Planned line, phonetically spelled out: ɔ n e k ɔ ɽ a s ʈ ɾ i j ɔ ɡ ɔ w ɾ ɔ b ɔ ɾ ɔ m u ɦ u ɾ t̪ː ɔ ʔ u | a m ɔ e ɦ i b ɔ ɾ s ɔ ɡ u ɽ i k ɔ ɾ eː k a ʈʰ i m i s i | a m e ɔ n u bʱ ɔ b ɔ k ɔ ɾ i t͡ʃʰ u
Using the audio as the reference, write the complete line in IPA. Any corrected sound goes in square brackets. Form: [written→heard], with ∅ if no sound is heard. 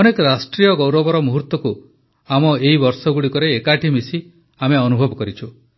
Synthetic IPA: ɔ n e k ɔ [ɽ→ɾ] a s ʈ ɾ i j ɔ ɡ ɔ w ɾ ɔ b ɔ ɾ ɔ m u ɦ u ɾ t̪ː ɔ [ʔ→k] u | a m ɔ e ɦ i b ɔ ɾ s ɔ ɡ u ɽ i k ɔ ɾ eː k a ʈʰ i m i s i | a m e ɔ n u bʱ ɔ b ɔ k ɔ ɾ i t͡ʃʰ u